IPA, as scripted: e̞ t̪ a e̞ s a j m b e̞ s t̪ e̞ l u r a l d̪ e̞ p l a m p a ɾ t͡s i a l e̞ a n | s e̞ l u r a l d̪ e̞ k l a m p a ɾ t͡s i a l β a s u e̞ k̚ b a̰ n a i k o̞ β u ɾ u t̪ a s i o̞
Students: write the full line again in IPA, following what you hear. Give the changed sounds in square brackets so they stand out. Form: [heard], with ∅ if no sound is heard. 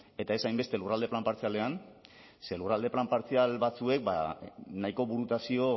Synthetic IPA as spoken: e̞ t̪ a e̞ s a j m b e̞ s t̪ e̞ l u r a l d̪ e̞ p l a m p a ɾ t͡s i a l e̞ a n | s e̞ l u r a l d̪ e̞ [p] l a m p a ɾ t͡s i a l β a [t͡s] u e̞ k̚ b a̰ n a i k o̞ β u ɾ u t̪ a s i o̞

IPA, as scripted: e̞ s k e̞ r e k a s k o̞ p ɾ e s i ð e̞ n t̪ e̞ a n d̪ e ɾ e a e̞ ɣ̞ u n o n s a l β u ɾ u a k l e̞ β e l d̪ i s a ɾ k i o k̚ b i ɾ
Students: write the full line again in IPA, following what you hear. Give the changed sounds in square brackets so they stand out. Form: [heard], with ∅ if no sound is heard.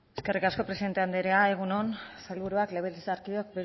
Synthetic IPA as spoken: e̞ s k e̞ r [i] k a s k o̞ p ɾ e s i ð e̞ n t̪ e̞ a n d̪ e ɾ e a e̞ ɣ̞ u n o n s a l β u ɾ u a k l e̞ β e l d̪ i s a ɾ k i o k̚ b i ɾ

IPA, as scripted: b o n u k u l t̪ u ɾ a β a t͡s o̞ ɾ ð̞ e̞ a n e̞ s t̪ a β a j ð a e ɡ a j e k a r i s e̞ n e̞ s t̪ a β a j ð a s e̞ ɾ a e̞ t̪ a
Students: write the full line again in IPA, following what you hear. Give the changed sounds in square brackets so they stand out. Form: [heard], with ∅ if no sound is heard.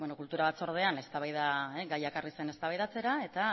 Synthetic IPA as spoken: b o n [o] k u l t̪ u ɾ a β a t͡s o̞ ɾ ð̞ e̞ a n e̞ s t̪ a β a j ð a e ɡ a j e k a r i s e̞ n e̞ s t̪ a β a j ð a [t͡s] e̞ ɾ a e̞ t̪ a

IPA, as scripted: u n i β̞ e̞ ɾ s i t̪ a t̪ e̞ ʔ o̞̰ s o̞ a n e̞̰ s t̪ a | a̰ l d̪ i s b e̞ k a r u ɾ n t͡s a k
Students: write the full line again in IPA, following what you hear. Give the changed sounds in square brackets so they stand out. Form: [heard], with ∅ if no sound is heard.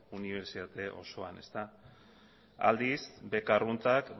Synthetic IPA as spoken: u n i β̞ e̞ ɾ s i t̪ a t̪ e̞ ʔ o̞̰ s o̞ a n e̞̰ s t̪ a | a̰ l d̪ i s b e̞ k a r u [∅] n t͡s a k

